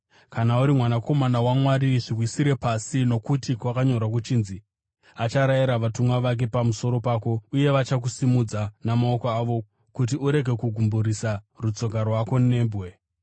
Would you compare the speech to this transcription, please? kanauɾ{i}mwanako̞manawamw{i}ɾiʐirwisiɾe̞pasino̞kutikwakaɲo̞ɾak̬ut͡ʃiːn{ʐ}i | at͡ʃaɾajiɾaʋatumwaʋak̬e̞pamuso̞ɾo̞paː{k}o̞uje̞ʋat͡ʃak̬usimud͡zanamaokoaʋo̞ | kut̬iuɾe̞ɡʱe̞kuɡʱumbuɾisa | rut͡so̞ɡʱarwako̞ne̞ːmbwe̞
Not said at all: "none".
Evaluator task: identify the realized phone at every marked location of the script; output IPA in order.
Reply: i, a, z, k

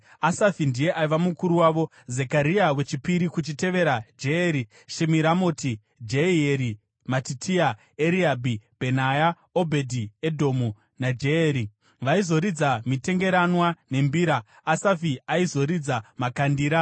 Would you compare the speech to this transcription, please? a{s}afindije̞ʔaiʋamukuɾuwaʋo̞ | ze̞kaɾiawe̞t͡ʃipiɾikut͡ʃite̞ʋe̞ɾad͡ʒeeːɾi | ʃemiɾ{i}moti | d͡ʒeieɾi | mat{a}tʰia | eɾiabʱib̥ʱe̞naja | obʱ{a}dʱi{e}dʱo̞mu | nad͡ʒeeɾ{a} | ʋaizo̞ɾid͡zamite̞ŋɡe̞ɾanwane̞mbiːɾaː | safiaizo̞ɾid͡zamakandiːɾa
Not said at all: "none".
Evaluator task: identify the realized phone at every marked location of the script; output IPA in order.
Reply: s, a, i, e, e, i

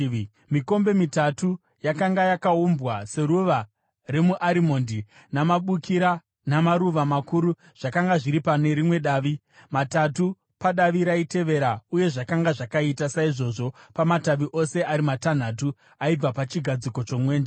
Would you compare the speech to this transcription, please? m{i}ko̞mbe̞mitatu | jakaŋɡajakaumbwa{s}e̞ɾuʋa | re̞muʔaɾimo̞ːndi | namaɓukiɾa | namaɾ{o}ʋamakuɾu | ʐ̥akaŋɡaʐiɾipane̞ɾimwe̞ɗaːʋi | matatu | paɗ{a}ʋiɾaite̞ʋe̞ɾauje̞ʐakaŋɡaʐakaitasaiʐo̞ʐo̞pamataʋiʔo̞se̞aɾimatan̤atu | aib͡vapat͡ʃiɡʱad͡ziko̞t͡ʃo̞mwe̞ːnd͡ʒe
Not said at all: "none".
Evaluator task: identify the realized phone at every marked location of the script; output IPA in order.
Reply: i, s, u, a

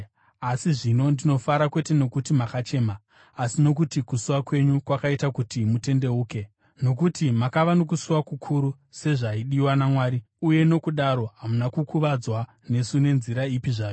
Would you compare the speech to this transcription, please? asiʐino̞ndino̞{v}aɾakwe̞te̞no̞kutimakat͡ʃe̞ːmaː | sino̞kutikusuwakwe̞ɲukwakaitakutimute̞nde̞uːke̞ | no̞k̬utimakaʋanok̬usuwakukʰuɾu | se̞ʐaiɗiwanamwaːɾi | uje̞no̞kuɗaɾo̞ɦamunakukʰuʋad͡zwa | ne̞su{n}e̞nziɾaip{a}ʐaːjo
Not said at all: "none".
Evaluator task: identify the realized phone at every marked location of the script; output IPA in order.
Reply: f, n, i

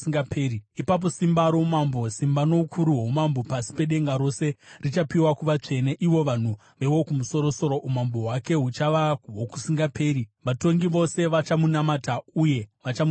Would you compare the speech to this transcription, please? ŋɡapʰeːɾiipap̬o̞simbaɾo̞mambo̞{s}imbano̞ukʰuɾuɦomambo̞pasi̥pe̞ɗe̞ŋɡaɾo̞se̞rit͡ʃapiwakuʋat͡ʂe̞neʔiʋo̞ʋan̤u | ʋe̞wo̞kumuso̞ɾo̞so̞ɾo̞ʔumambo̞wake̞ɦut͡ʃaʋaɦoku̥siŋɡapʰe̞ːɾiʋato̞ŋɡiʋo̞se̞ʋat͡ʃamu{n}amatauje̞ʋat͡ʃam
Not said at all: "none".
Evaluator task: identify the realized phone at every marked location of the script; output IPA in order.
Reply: s, n

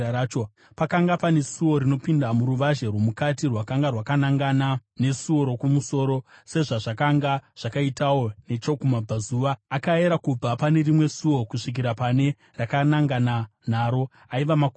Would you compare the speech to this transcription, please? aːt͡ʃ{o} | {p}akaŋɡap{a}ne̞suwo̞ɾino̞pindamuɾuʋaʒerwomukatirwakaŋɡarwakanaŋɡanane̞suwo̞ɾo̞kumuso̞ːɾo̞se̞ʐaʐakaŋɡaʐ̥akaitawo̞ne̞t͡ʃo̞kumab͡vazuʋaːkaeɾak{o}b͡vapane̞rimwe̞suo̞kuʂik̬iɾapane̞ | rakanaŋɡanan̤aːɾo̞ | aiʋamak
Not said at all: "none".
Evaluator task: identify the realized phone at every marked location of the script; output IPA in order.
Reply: o, p, a, u

